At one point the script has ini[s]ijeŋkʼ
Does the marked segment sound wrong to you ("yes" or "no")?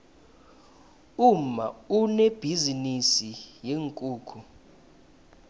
no